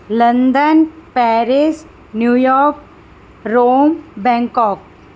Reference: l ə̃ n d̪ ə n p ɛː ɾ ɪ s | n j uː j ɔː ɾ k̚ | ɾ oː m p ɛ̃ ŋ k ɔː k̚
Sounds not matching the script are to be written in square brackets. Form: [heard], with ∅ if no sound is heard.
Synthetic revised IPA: l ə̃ n d̪ ə n p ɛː ɾ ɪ s | n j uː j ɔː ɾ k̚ | ɾ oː m [b] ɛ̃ ŋ k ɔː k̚